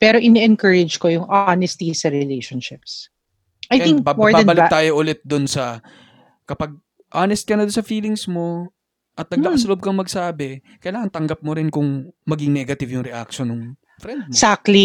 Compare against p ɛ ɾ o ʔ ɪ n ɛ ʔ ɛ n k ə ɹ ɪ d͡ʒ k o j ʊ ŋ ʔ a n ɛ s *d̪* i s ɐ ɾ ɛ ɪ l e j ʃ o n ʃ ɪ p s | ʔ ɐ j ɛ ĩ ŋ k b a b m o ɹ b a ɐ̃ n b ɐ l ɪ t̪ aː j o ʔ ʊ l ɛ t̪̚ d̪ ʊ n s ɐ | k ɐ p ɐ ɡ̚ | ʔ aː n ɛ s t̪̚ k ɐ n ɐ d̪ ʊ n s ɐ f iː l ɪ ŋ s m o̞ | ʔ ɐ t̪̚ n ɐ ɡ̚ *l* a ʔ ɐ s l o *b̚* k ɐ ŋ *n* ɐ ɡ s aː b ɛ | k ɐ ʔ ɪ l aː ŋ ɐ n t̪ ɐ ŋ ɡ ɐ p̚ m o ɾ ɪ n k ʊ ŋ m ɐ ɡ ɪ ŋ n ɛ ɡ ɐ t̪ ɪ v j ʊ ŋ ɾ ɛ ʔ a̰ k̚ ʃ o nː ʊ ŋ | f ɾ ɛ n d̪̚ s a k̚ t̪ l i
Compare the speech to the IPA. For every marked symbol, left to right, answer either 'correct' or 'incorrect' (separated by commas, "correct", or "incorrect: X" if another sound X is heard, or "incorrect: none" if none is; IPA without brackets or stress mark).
incorrect: t̪, correct, correct, incorrect: m